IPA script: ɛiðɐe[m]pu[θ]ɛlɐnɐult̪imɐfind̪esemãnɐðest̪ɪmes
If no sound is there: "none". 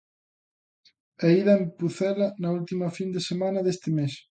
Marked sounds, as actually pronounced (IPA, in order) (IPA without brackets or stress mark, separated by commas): m, θ